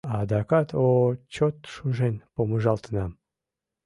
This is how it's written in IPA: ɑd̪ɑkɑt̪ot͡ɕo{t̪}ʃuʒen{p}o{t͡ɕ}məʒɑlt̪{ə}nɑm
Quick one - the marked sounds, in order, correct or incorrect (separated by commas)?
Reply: correct, correct, incorrect, correct